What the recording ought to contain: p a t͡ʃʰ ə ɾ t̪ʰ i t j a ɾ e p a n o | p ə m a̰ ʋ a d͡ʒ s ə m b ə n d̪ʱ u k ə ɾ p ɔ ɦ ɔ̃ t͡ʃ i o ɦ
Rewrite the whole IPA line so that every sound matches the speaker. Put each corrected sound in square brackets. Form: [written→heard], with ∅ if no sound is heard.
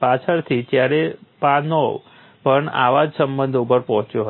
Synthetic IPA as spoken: p a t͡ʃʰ ə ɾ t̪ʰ i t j a ɾ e p a n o | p ə [m→ɳ] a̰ ʋ a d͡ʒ s ə m b ə n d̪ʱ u [k→p] ə ɾ p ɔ ɦ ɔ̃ t͡ʃ [i→j] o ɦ